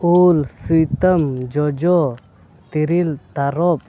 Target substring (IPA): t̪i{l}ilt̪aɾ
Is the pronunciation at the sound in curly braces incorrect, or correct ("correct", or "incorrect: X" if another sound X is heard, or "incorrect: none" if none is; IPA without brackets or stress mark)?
incorrect: ɾ